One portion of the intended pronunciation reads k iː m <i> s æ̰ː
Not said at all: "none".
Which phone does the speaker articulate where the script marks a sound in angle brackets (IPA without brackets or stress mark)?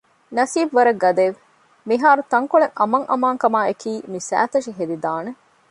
i